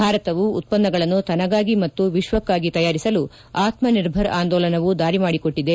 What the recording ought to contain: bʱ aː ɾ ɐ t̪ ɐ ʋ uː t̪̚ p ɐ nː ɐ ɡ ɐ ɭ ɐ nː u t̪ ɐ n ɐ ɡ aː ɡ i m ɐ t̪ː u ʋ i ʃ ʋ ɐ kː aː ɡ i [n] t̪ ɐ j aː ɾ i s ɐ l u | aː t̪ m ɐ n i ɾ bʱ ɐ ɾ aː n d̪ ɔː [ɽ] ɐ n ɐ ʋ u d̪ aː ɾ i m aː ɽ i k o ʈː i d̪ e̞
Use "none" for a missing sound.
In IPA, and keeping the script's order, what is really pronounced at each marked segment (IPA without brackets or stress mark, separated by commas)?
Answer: none, l